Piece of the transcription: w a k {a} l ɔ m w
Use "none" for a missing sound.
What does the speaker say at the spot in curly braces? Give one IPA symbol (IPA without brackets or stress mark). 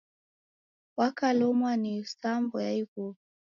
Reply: a